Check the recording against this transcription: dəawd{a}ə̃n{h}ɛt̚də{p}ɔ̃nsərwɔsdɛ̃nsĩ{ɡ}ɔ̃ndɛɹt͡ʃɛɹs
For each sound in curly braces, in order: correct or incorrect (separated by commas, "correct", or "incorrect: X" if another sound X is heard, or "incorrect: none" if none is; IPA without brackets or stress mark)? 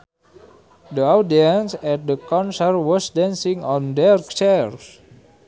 incorrect: i, incorrect: s, incorrect: k, incorrect: ŋ